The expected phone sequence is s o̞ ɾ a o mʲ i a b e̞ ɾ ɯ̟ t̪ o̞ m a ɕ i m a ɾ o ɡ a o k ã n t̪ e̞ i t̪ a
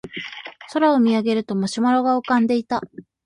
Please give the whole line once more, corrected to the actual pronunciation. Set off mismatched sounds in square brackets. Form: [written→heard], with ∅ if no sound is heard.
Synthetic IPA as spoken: s o̞ ɾ a o mʲ i a [b→ɡ] e̞ ɾ ɯ̟ t̪ o̞ m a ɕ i m a ɾ o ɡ a o k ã n [t̪→d̪] e̞ i t̪ a